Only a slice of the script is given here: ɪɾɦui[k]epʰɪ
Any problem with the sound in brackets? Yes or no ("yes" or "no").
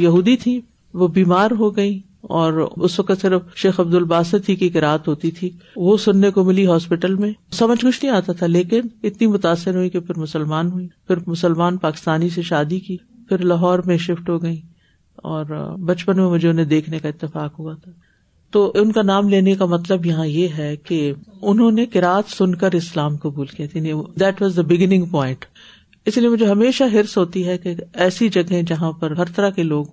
no